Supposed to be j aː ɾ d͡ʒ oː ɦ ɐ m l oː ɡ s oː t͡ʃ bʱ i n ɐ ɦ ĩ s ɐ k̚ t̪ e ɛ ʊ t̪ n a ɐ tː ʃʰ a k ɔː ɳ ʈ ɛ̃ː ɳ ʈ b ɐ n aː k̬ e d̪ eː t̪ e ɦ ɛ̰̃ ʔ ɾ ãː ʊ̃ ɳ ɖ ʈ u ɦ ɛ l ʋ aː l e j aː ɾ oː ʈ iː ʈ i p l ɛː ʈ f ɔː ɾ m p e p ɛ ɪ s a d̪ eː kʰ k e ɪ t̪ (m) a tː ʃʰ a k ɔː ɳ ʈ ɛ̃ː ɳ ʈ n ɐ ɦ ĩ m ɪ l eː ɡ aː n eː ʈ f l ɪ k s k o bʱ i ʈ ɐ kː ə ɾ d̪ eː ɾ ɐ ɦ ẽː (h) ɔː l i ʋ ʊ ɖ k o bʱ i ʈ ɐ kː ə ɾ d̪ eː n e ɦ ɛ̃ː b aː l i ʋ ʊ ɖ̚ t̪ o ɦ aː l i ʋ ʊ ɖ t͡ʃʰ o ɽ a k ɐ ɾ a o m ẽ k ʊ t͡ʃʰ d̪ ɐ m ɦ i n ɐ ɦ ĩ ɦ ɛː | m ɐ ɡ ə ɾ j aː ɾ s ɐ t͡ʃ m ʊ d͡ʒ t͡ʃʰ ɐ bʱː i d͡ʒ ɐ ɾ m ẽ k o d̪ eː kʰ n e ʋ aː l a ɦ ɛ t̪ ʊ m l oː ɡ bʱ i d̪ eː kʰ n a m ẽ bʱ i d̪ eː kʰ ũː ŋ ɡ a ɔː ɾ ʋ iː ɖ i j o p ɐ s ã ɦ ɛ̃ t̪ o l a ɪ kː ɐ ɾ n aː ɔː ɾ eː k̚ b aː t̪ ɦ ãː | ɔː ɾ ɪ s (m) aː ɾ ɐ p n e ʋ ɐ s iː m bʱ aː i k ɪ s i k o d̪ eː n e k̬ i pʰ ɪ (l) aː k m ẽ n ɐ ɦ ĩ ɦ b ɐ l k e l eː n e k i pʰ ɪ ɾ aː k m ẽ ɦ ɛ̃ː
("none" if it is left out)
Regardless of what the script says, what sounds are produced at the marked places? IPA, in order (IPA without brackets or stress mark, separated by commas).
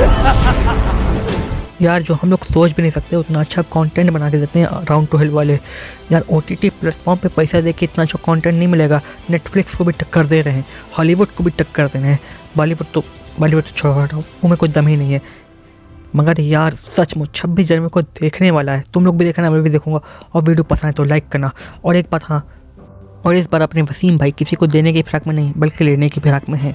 n, h, b, ɾ